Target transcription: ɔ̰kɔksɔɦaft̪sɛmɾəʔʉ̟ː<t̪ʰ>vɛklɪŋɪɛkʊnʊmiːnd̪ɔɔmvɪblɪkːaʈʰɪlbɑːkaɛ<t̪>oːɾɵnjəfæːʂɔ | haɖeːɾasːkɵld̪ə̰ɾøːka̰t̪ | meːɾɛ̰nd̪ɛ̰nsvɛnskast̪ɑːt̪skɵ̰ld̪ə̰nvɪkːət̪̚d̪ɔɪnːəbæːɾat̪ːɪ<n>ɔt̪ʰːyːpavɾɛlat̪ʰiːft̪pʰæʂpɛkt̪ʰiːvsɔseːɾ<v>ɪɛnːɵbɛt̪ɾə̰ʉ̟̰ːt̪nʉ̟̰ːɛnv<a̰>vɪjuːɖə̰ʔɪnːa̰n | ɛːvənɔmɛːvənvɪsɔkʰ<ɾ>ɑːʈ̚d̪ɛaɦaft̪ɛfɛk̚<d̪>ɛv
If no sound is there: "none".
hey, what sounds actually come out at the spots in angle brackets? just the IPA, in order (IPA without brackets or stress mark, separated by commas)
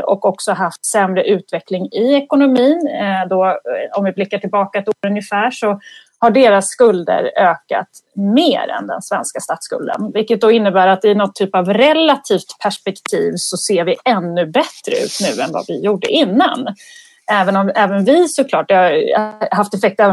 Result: t̪, t̪, n, v, a̰, l, t̪